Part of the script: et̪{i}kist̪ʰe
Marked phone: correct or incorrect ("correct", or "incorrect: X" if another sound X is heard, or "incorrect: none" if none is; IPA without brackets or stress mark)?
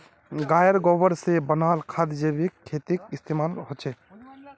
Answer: correct